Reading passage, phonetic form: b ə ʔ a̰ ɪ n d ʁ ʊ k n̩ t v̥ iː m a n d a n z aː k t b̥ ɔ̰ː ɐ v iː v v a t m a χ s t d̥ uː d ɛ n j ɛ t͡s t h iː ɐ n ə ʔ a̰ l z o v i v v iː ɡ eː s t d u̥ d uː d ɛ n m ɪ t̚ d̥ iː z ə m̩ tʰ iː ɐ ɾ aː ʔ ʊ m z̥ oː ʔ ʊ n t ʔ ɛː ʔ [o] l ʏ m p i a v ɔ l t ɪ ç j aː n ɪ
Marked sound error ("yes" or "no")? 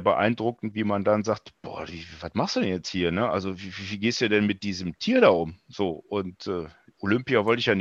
no